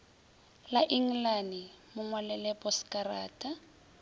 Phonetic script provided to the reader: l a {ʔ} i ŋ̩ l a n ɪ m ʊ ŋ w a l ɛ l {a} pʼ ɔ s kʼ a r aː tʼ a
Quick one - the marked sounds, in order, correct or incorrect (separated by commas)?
correct, incorrect